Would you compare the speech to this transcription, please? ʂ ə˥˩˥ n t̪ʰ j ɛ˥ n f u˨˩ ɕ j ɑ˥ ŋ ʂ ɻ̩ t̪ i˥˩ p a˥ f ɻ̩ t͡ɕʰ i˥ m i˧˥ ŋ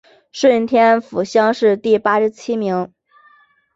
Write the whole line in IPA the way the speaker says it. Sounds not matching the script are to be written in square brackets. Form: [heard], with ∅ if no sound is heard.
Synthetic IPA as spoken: ʂ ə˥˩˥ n t̪ʰ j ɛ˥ n f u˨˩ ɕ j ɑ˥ ŋ ʂ ɻ̩ t̪ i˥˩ p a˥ [ʂ] ɻ̩ t͡ɕʰ i˥ m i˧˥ ŋ